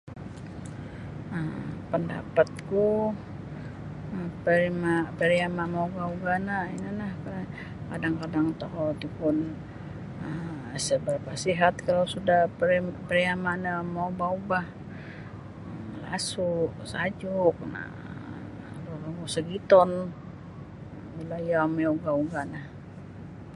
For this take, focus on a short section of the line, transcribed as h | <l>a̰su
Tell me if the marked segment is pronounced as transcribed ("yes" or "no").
yes